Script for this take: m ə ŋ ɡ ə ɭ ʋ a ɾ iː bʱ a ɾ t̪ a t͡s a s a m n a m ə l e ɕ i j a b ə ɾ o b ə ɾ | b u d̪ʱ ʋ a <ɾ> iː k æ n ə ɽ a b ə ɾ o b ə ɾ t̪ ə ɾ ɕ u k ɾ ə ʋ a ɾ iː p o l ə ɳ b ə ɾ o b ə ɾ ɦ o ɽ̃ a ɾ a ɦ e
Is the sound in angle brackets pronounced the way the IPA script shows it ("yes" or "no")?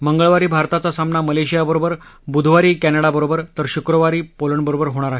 yes